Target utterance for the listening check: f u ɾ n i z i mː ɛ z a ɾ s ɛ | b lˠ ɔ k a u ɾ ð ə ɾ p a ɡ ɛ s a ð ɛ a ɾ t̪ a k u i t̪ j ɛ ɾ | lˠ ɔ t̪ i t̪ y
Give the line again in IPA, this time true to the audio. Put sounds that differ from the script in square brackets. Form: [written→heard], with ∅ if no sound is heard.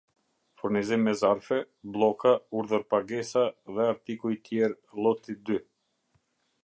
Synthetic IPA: f u ɾ n i z i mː ɛ z a ɾ [s→f] ɛ | b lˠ ɔ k a u ɾ ð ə ɾ p a ɡ ɛ s a ð ɛ a ɾ t̪ [a→i] k u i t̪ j ɛ ɾ | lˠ ɔ t̪ i [t̪→d̪] y

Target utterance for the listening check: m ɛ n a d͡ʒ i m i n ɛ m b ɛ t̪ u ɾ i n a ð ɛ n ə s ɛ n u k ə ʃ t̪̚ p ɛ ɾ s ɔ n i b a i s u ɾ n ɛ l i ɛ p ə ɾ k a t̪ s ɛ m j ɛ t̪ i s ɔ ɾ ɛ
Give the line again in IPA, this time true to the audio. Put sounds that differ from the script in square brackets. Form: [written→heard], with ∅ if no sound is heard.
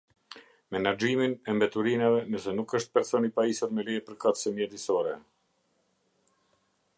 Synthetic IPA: m ɛ n a d͡ʒ i m i n ɛ m b ɛ t̪ u ɾ i n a [ð→v] ɛ n ə s ɛ n u k ə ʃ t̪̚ p ɛ ɾ s ɔ n i [b→p] a i s u ɾ [n→m] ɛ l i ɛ p ə ɾ k a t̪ s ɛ m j ɛ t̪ i s ɔ ɾ ɛ

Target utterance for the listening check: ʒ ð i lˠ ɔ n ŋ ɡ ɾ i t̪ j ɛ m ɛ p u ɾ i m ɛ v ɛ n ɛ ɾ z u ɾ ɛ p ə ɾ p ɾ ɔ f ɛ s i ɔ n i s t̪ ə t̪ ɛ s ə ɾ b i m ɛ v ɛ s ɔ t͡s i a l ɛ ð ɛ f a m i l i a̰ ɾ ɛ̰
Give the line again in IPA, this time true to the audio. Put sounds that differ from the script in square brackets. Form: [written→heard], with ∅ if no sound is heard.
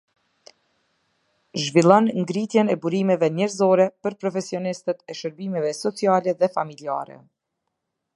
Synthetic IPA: ʒ [ð→v] i lˠ ɔ n ŋ ɡ ɾ i t̪ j ɛ [m→n] ɛ [p→b] u ɾ i m ɛ v ɛ n ɛ ɾ z [u→ɔ] ɾ ɛ p ə ɾ p ɾ ɔ f ɛ s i ɔ n i s t̪ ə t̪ ɛ [s→ʃ] ə ɾ b i m ɛ v ɛ s ɔ t͡s i a l ɛ ð ɛ f a m i l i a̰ ɾ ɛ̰

